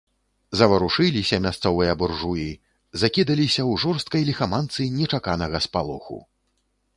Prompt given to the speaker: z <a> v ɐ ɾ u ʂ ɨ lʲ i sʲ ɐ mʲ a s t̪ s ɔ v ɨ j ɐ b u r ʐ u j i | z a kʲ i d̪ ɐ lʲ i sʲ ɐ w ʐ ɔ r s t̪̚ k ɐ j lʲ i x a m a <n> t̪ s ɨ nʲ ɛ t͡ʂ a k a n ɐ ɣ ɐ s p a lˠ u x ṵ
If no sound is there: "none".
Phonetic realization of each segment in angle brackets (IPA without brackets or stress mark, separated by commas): ɐ, n